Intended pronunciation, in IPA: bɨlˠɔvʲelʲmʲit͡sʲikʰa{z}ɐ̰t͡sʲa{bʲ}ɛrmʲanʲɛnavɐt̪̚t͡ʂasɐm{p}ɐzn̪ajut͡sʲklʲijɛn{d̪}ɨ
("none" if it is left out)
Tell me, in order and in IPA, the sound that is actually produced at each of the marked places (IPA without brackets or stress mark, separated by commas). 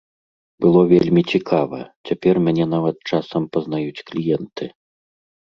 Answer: v, pʲ, p, t̪